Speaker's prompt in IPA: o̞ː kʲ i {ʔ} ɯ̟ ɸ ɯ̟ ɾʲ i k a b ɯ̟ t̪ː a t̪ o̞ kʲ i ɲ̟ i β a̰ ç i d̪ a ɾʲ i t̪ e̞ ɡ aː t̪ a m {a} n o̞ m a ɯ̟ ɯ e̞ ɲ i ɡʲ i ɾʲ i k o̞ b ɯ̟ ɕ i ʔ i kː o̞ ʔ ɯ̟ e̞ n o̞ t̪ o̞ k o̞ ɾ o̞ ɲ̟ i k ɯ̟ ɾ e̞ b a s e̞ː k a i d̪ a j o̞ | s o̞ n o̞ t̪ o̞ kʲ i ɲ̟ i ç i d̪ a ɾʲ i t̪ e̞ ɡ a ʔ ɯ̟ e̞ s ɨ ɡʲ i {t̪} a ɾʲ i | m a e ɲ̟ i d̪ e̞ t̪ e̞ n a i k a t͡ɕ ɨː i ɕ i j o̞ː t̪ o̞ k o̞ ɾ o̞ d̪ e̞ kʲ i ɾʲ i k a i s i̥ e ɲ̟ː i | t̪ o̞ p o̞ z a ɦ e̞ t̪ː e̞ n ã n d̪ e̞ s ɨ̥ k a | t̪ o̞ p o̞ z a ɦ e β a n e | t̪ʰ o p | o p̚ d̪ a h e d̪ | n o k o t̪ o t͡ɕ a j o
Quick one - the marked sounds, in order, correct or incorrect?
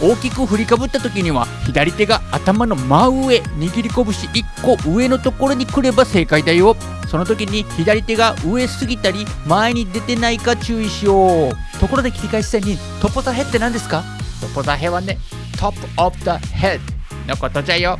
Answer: incorrect: k, correct, correct

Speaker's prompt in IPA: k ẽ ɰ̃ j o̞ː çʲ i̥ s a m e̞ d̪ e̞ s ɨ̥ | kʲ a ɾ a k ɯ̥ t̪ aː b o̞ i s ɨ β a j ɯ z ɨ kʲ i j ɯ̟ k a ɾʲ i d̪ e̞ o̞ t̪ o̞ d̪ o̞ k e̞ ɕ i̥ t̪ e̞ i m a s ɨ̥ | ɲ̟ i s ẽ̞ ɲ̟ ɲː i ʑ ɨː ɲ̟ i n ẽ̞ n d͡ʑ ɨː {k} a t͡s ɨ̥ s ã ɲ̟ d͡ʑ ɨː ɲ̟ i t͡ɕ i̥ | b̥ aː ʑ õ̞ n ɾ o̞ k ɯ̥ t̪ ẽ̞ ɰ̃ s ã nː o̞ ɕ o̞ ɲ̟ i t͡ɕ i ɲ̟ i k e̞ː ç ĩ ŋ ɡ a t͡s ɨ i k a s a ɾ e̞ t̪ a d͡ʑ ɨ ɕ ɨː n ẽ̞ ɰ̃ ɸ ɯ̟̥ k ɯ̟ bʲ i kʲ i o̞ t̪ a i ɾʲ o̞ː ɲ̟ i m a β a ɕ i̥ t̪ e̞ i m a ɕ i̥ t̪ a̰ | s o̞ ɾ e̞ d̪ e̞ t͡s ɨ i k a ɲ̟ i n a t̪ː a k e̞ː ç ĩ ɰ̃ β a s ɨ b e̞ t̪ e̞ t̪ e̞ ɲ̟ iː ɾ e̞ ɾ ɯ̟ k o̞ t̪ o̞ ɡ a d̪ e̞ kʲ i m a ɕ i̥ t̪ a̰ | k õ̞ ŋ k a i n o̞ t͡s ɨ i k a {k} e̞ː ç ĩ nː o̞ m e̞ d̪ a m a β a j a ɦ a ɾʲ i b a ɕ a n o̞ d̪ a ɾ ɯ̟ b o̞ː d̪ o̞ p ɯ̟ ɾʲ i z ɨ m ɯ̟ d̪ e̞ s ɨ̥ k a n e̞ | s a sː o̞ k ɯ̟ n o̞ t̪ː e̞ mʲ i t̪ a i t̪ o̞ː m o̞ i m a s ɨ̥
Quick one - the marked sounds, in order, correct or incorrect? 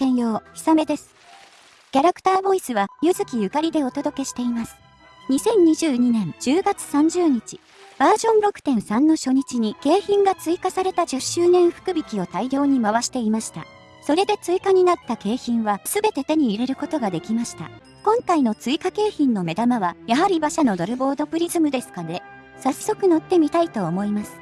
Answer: incorrect: ɡ, correct

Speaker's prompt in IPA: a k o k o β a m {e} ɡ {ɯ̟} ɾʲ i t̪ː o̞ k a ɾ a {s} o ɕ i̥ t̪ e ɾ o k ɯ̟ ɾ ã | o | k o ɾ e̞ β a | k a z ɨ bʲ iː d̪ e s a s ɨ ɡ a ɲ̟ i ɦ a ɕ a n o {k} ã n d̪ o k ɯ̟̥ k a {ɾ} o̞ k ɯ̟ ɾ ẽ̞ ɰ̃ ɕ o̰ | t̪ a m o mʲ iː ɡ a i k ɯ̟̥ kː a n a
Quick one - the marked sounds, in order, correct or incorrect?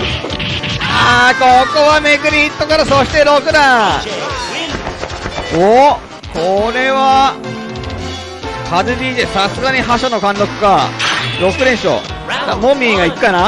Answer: correct, correct, correct, correct, correct

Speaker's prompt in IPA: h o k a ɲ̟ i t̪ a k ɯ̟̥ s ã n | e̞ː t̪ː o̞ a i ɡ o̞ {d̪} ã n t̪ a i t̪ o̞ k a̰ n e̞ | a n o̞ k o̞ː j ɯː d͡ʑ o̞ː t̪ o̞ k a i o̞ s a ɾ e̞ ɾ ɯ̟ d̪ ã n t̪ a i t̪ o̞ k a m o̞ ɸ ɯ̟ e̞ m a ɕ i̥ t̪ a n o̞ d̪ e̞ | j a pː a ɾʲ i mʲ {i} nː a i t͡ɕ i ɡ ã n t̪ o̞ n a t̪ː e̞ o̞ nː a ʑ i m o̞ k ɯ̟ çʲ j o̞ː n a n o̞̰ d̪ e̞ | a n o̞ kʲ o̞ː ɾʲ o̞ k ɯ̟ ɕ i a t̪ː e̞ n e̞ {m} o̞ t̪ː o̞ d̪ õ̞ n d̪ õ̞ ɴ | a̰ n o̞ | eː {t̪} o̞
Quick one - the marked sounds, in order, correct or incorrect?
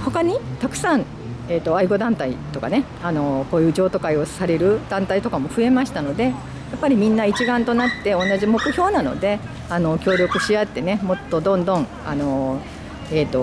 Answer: correct, incorrect: ĩ, correct, correct

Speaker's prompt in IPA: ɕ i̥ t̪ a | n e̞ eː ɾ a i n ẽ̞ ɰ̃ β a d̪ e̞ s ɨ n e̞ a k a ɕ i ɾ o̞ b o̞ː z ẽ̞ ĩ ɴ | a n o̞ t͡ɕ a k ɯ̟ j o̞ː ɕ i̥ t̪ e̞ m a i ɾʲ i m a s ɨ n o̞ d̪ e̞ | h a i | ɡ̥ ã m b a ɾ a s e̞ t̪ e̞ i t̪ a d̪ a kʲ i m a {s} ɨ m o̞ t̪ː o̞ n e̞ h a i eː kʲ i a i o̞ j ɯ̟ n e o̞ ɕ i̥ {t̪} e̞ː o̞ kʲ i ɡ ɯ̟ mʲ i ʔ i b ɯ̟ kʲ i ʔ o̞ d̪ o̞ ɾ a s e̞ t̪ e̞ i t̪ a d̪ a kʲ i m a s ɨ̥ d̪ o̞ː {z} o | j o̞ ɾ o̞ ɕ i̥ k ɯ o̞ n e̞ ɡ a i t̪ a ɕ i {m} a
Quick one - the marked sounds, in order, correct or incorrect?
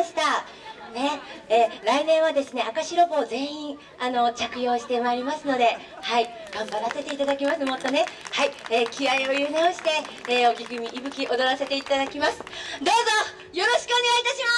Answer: correct, correct, correct, correct

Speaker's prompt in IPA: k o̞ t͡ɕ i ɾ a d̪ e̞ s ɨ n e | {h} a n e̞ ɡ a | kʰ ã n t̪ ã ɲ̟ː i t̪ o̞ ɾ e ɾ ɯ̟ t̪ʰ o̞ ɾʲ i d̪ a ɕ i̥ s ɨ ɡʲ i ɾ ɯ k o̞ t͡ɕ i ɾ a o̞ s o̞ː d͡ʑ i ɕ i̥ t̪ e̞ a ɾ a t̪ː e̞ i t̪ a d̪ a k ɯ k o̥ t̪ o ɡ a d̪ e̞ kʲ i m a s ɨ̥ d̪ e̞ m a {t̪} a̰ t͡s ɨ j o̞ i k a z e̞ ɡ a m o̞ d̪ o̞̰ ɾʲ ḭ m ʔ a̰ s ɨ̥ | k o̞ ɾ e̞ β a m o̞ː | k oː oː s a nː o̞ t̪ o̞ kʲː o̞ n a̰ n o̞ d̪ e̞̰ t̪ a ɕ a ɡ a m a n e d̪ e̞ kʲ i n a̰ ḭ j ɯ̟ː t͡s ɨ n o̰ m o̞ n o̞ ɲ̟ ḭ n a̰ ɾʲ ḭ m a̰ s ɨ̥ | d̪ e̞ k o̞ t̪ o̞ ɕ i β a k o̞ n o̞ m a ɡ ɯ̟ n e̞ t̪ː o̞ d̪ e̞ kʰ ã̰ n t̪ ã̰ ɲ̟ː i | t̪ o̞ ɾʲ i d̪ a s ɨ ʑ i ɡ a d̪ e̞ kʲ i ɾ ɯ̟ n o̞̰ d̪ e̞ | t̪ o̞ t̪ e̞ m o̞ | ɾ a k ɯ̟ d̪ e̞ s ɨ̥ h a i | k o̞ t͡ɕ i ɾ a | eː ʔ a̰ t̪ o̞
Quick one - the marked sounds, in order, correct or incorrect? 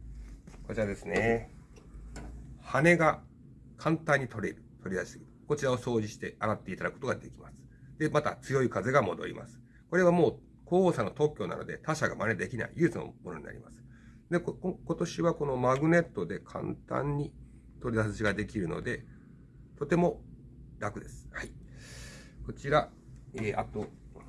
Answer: correct, correct

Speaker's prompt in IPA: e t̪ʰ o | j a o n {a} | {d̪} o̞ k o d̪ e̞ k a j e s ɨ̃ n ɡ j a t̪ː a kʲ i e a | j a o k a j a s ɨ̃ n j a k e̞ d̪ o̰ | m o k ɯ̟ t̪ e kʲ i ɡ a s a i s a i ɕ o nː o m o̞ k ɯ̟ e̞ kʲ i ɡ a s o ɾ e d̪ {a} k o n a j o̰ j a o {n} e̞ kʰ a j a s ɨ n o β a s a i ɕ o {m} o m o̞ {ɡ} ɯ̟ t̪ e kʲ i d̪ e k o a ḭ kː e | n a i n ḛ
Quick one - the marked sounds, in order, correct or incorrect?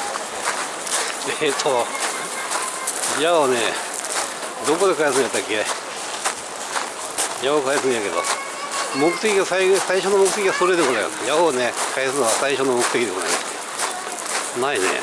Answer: incorrect: e, correct, incorrect: e, correct, incorrect: n, incorrect: k

